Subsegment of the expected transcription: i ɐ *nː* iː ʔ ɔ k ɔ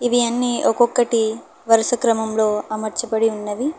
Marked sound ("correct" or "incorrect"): correct